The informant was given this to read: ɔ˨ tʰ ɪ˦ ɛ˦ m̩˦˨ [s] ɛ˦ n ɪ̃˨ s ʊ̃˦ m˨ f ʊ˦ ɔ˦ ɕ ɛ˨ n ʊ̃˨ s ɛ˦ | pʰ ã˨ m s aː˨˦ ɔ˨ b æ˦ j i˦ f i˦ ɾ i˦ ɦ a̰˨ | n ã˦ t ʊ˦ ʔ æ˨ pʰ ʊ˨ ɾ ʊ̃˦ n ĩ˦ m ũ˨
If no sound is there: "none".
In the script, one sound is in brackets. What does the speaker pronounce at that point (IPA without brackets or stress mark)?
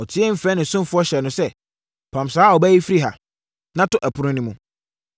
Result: f